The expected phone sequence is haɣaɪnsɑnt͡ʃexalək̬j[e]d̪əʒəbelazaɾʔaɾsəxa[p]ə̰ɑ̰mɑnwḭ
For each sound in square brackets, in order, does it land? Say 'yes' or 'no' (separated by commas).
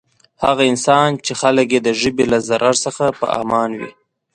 yes, yes